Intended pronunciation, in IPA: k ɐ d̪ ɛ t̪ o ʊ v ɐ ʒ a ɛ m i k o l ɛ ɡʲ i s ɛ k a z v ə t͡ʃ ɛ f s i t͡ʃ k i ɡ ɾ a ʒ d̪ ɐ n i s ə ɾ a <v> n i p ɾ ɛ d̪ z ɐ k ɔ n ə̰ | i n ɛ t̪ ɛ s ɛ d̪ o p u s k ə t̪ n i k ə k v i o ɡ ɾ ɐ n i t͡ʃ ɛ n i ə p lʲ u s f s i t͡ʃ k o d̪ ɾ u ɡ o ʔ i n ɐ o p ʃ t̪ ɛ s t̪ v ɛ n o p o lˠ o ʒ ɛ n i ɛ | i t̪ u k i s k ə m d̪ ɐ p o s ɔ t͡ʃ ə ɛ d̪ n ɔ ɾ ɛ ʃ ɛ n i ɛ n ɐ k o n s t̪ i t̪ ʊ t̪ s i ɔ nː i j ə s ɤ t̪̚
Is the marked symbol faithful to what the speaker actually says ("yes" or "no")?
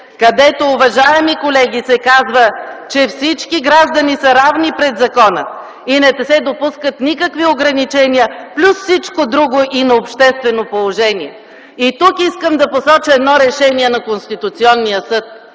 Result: yes